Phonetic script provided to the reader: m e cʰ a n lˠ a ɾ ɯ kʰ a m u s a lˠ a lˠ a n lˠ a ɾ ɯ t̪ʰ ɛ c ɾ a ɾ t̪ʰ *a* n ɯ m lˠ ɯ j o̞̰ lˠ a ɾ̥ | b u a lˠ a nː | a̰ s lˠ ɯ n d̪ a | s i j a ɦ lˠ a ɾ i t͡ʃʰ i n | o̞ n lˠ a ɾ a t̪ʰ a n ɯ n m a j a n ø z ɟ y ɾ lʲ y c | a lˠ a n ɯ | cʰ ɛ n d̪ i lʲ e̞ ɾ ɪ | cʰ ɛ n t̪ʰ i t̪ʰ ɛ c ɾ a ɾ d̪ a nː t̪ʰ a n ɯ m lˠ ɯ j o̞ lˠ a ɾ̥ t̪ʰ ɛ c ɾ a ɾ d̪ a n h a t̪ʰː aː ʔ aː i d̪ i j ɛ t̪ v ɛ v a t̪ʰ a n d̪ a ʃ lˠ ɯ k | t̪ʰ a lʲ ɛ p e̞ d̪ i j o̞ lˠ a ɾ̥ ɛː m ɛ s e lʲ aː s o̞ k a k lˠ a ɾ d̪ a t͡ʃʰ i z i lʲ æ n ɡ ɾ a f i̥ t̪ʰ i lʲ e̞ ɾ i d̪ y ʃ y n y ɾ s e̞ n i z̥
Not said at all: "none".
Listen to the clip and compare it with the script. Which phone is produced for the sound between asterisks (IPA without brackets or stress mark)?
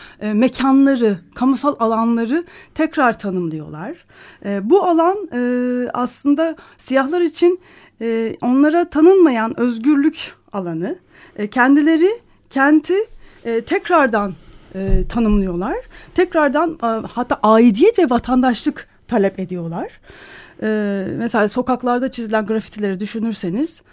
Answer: a